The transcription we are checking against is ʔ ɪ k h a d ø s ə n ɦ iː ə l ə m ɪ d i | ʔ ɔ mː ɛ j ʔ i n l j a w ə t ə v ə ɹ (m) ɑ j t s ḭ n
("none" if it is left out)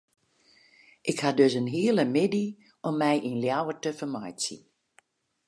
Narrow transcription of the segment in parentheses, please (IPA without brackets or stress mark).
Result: m